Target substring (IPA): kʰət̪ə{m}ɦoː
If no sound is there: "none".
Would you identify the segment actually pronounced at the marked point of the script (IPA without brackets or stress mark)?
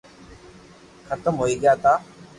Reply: m